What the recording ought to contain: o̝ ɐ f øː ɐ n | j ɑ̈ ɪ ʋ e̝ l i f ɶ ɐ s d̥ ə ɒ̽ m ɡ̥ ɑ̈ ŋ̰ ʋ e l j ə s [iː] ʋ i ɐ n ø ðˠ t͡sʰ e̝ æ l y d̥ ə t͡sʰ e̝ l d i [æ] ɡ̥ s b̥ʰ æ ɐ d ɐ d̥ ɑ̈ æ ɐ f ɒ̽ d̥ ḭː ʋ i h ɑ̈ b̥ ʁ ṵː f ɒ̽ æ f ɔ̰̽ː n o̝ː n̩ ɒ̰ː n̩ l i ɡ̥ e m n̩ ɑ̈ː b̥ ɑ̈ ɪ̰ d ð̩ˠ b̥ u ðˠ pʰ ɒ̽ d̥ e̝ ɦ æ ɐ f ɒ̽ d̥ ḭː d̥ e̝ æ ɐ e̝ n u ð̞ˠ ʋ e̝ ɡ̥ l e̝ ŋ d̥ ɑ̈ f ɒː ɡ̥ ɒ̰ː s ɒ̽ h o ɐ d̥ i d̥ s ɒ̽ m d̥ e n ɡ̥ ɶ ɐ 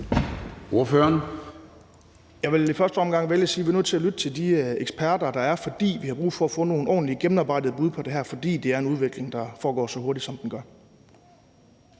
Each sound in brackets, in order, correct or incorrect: correct, incorrect

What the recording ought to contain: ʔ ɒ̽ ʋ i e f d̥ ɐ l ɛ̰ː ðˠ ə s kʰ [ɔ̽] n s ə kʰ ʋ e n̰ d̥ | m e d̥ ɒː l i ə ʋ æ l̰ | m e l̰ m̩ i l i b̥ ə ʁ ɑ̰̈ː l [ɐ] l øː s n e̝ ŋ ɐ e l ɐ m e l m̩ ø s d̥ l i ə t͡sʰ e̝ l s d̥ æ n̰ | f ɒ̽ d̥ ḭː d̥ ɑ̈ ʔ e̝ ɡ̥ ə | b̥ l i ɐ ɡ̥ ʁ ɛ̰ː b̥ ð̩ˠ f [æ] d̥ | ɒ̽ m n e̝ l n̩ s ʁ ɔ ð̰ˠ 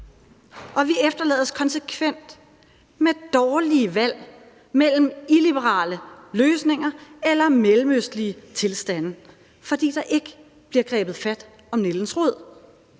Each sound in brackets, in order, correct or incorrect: incorrect, incorrect, correct

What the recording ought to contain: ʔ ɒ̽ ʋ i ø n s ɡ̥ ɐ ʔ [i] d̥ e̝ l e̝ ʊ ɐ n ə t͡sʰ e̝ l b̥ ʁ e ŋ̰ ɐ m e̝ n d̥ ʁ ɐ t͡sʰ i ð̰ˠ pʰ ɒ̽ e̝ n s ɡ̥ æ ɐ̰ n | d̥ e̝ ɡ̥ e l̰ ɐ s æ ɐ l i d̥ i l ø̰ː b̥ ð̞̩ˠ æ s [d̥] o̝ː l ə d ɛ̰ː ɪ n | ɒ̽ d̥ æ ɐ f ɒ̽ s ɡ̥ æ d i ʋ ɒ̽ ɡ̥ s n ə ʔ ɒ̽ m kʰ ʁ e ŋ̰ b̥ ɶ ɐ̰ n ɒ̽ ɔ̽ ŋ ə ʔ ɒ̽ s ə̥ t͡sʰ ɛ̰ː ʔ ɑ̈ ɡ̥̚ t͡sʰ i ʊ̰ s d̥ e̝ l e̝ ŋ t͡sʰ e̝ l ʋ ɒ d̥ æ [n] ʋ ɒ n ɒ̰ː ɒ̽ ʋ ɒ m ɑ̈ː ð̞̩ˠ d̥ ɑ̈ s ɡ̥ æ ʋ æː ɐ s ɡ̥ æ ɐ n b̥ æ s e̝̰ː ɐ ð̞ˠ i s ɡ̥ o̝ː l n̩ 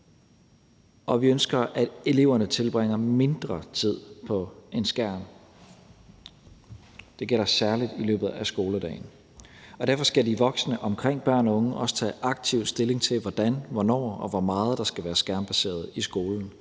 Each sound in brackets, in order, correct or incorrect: incorrect, incorrect, correct

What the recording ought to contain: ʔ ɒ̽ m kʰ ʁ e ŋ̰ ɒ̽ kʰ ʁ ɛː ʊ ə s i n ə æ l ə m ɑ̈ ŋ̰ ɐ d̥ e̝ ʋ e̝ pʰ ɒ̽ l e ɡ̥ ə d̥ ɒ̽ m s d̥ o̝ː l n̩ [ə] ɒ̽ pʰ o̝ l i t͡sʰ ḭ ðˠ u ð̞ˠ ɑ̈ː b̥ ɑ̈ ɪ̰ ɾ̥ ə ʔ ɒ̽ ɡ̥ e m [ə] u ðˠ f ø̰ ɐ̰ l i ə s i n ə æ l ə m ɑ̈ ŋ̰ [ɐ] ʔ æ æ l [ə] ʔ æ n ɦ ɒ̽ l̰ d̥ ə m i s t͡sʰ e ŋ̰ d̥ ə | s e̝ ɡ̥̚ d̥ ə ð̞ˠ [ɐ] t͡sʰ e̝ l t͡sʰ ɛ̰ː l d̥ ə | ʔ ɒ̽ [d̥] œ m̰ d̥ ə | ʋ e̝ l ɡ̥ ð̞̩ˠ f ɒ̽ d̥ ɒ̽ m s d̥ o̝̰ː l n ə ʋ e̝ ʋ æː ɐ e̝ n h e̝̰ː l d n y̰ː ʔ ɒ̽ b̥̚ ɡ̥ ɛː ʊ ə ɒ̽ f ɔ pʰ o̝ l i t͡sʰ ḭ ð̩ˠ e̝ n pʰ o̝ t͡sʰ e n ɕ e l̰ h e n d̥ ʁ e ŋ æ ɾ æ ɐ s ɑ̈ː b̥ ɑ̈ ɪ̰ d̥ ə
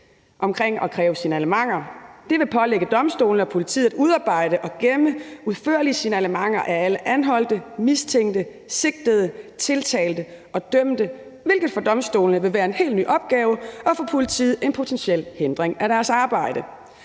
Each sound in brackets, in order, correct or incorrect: correct, correct, correct, correct, incorrect, correct

